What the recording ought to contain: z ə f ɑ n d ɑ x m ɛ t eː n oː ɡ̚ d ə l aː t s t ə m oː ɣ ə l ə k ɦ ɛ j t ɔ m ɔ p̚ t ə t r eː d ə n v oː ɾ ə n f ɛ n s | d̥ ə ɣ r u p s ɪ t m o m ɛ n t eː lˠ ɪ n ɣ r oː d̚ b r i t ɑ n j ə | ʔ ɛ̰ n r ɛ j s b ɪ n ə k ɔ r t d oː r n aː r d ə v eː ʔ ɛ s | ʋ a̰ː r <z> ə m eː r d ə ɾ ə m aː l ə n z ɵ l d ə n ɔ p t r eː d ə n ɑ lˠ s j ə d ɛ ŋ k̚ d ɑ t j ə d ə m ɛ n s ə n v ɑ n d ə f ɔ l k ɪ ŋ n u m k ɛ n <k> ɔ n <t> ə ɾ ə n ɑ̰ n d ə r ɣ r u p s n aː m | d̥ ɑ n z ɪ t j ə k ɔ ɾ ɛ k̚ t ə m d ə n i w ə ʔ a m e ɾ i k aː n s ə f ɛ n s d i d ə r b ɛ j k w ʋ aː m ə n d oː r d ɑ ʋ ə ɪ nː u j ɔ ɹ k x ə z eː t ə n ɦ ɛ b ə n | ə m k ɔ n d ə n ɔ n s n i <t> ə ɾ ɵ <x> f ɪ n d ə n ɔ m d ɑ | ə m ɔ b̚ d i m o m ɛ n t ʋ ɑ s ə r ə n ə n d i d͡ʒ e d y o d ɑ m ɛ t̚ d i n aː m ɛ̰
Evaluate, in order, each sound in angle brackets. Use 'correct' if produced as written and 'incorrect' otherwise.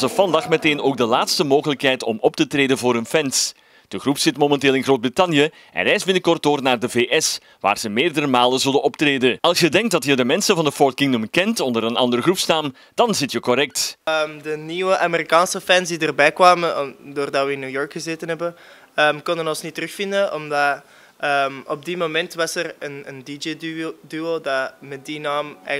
correct, incorrect, incorrect, correct, correct

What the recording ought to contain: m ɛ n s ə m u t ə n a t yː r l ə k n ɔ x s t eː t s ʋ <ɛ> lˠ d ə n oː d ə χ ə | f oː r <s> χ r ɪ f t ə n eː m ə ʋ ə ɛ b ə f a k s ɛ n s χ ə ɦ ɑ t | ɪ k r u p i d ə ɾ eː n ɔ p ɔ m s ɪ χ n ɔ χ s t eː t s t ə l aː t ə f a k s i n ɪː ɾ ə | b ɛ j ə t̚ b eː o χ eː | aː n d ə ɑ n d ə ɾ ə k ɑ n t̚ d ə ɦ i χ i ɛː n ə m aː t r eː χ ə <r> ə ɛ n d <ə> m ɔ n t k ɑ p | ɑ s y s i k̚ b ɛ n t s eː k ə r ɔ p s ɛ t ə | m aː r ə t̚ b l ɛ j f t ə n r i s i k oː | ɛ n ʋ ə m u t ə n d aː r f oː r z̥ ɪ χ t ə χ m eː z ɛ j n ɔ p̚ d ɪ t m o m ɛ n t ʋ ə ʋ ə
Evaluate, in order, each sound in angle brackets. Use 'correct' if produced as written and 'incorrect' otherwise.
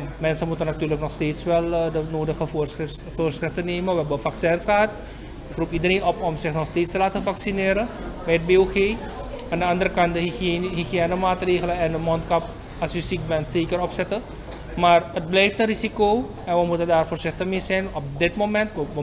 correct, correct, incorrect, correct

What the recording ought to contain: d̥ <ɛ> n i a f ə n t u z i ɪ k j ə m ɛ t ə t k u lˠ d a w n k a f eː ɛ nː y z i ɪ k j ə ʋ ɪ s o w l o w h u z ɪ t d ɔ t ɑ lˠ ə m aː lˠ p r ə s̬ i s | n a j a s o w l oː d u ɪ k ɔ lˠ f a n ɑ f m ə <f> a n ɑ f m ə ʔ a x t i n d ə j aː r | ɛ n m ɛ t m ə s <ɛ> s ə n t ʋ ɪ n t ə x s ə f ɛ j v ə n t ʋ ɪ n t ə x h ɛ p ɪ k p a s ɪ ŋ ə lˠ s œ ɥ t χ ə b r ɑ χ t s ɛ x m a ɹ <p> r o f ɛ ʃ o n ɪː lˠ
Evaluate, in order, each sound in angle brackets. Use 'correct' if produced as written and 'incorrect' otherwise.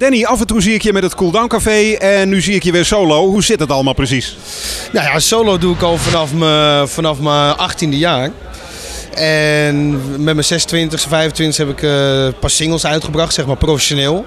correct, correct, correct, correct

